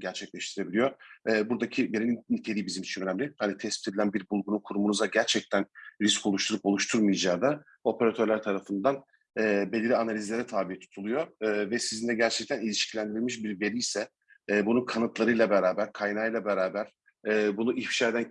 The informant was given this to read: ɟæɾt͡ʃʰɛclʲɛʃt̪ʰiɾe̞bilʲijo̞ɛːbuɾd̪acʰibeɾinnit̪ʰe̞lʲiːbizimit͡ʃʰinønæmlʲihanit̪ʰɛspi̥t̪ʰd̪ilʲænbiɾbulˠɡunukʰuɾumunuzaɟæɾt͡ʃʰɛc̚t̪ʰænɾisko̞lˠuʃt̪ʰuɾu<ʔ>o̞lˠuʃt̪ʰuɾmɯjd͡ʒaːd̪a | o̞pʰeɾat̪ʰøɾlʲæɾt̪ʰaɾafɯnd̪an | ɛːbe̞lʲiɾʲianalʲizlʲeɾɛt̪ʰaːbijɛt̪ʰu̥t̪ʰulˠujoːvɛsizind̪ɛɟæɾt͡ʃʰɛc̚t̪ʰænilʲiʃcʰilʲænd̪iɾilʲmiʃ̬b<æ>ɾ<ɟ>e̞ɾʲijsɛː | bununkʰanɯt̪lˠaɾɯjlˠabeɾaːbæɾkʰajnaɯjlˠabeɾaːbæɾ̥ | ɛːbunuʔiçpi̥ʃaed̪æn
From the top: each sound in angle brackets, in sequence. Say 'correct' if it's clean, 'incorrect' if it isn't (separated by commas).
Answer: incorrect, incorrect, incorrect